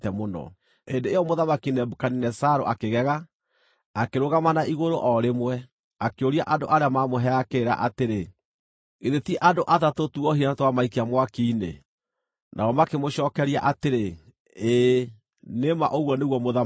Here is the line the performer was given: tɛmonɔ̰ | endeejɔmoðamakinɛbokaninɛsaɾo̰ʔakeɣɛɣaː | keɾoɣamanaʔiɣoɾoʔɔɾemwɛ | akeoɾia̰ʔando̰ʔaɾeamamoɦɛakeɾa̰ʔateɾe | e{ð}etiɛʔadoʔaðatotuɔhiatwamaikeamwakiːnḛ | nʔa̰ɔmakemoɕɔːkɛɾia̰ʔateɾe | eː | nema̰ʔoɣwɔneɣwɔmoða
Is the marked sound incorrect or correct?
correct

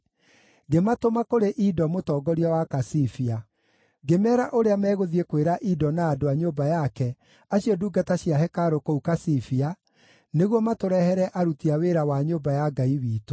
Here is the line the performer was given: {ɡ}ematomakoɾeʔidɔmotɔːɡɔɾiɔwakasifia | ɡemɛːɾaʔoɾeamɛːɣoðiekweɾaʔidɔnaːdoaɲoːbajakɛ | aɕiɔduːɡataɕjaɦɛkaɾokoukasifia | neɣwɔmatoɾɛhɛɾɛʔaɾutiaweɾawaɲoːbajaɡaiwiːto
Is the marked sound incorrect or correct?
correct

